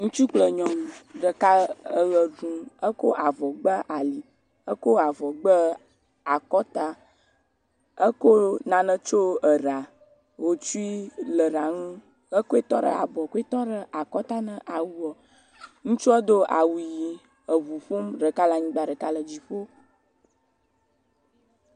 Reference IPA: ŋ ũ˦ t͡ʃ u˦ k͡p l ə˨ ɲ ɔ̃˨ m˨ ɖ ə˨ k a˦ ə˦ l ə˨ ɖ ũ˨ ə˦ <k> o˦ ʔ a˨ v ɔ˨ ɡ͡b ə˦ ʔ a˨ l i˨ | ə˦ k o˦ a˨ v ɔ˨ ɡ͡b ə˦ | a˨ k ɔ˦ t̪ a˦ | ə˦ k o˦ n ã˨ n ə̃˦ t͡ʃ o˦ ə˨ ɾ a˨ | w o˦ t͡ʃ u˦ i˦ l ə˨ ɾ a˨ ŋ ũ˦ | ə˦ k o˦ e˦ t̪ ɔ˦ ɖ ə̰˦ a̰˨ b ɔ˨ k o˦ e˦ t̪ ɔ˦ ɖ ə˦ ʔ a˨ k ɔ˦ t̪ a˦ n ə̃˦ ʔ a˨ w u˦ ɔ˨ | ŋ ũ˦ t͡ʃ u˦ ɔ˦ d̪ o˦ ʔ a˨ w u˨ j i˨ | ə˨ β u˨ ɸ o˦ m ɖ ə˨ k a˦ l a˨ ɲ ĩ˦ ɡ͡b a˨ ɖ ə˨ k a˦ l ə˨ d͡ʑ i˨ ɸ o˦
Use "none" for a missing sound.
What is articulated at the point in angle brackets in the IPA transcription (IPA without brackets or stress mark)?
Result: k